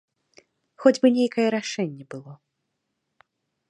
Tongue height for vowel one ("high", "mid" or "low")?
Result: mid